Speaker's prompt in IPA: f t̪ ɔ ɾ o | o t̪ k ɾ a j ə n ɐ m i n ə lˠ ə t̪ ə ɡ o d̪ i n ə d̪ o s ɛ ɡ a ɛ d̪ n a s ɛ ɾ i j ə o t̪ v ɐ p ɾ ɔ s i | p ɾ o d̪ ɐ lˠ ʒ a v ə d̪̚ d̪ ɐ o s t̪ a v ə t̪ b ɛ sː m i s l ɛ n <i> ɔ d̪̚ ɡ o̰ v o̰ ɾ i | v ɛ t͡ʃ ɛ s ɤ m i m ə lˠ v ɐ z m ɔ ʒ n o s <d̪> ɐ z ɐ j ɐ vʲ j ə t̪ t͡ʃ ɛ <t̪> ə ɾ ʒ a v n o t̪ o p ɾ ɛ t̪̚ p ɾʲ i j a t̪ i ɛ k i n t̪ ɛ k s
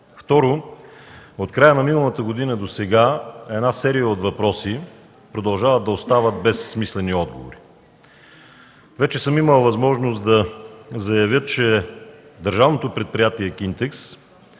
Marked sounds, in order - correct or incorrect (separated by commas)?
correct, correct, incorrect